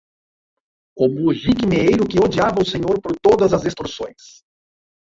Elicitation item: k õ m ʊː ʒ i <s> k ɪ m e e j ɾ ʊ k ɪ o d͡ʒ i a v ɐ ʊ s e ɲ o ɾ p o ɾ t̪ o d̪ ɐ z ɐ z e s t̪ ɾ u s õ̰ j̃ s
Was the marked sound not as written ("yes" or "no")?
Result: yes